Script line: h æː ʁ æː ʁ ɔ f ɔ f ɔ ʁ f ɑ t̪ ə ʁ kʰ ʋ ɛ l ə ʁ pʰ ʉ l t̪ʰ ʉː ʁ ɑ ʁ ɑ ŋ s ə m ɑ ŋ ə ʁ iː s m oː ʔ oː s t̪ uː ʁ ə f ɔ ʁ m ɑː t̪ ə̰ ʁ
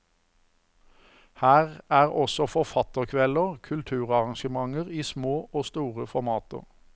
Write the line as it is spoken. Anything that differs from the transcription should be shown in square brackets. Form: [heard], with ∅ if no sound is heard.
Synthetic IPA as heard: h æː ʁ æː ʁ ɔ [s] ɔ f ɔ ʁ f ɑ t̪ ə ʁ kʰ ʋ ɛ l ə ʁ [kʰ] ʉ l t̪ʰ ʉː ʁ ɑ ʁ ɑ ŋ [ʃ] ə m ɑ ŋ ə ʁ iː s m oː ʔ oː s t̪ uː ʁ ə f ɔ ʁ m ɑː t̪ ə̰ ʁ